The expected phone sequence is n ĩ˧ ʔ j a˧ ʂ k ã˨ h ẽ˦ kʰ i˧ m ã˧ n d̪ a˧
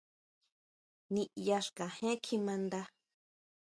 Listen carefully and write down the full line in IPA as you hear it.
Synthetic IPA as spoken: n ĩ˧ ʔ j a˧ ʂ k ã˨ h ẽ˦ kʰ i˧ m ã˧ n d̪ a˧